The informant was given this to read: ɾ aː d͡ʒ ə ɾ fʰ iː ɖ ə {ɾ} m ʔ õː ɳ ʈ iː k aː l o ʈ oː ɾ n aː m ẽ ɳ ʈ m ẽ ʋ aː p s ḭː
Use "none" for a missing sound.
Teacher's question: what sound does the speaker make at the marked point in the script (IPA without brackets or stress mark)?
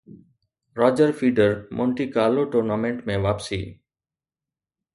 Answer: ɾ